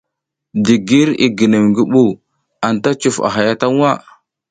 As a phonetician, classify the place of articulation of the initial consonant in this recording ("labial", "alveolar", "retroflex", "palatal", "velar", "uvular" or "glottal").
alveolar